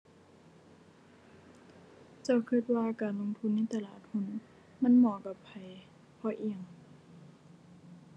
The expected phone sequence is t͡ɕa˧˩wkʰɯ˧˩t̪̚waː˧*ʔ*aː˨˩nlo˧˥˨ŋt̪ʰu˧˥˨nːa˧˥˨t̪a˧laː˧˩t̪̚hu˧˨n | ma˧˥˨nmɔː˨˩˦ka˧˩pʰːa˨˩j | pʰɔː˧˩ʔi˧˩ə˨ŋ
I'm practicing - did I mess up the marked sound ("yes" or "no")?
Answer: yes